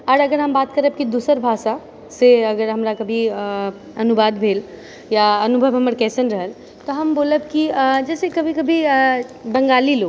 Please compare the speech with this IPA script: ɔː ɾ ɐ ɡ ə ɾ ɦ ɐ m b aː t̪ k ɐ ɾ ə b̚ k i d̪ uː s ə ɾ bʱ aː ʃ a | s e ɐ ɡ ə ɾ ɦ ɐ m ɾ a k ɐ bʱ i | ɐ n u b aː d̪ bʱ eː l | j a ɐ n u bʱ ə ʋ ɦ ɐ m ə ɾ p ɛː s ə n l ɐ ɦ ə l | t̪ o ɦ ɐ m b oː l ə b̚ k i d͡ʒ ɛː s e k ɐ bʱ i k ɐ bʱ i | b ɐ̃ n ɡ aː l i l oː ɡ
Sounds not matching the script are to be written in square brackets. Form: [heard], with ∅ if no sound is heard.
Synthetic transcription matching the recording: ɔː ɾ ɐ ɡ ə ɾ ɦ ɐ m b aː t̪ k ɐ ɾ ə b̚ k i d̪ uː s ə ɾ bʱ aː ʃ a | s e ɐ ɡ ə ɾ ɦ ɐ m ɾ a k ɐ bʱ i | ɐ n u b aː d̪ bʱ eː l | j a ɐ n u bʱ ə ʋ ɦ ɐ m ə ɾ [k] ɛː s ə n [ɾ] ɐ ɦ ə l | t̪ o ɦ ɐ m b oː l ə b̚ k i d͡ʒ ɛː s e k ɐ bʱ i k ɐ bʱ i | b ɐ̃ [ŋ] ɡ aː l i l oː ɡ